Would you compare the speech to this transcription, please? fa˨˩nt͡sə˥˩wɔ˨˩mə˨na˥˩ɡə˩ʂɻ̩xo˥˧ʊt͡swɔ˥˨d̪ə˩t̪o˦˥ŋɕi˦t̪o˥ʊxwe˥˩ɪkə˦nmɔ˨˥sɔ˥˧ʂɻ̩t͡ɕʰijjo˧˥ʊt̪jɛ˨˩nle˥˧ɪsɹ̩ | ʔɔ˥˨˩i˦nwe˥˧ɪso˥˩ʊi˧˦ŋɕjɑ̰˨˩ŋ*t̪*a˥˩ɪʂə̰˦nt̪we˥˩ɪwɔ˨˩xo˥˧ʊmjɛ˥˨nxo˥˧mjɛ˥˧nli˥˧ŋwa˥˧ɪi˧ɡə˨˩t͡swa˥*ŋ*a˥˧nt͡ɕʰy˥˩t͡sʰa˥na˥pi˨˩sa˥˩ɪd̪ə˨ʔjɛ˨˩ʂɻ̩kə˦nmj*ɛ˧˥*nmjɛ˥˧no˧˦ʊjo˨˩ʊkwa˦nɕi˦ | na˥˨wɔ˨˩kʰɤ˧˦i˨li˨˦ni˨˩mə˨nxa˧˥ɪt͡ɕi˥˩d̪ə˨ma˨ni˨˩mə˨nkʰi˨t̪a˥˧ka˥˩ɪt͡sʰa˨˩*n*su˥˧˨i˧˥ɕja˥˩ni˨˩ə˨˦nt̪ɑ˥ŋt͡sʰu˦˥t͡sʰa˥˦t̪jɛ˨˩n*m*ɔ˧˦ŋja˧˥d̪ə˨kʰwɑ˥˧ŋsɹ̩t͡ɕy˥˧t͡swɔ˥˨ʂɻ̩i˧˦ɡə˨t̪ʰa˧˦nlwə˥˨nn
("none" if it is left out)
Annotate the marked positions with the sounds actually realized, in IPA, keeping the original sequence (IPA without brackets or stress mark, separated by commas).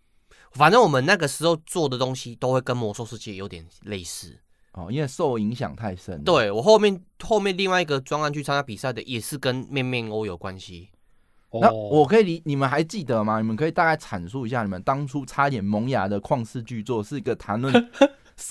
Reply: t̪ʰ, ŋ, ɛ˥˧, n, m